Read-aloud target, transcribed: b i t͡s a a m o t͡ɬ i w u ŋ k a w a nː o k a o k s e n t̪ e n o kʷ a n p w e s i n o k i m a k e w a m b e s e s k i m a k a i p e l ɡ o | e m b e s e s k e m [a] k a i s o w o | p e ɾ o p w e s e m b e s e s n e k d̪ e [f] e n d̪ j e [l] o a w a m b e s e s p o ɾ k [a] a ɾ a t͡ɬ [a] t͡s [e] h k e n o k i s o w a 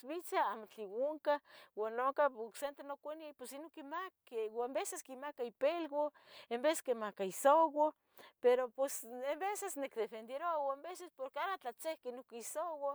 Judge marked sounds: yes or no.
yes, yes, no, no, yes, yes

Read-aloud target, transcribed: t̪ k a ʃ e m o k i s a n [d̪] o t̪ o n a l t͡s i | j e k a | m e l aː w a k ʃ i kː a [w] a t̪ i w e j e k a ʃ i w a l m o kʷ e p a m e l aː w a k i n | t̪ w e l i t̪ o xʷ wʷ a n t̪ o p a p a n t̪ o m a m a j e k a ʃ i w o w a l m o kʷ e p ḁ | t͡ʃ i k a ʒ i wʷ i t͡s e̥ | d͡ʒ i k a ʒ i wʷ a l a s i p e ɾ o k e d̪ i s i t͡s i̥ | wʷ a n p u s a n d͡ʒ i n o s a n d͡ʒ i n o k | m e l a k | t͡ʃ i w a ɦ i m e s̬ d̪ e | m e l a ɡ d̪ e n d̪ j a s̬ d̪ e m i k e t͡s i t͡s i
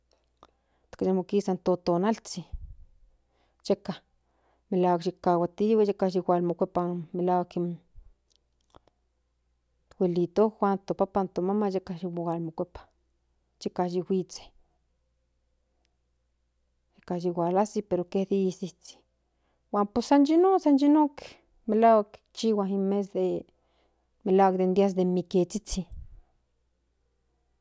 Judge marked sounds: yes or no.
no, yes

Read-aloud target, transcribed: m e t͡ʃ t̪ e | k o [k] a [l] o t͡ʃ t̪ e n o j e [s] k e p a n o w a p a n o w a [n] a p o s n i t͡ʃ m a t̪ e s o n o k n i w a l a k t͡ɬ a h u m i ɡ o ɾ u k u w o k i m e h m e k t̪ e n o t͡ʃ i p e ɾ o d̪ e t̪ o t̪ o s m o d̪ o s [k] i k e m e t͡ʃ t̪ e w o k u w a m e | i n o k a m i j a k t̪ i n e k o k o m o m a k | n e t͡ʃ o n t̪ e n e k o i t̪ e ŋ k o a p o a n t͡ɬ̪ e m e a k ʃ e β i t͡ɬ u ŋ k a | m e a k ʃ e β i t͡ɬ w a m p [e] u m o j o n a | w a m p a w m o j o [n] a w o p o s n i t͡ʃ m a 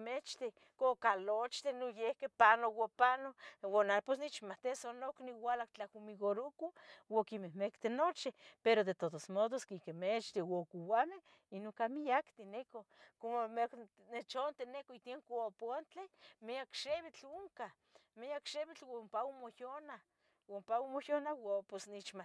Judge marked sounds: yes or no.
yes, yes, no, yes, yes, no, yes

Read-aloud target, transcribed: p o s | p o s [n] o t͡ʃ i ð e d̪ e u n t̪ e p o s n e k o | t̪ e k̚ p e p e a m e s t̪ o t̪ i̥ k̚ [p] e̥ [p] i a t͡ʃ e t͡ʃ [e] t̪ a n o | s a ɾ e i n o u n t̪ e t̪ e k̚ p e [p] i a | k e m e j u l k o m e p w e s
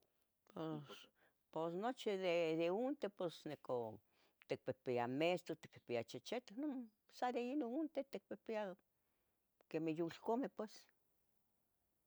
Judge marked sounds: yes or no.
yes, yes, yes, yes, yes

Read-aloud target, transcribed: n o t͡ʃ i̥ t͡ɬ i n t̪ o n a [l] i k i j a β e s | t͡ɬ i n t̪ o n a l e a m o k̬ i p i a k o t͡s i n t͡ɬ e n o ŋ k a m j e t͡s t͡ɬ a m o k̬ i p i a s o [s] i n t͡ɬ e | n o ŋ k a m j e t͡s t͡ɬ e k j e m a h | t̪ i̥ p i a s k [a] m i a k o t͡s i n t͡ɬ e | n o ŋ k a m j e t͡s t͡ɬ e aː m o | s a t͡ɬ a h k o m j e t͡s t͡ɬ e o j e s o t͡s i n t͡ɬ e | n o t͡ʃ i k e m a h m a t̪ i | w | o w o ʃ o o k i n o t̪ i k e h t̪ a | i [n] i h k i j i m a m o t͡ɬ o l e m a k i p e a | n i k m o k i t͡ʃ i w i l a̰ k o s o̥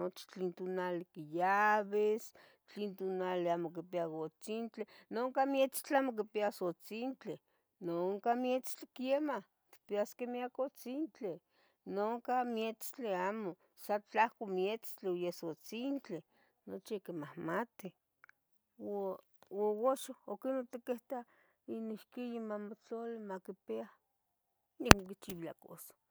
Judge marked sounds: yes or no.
yes, no, no, yes

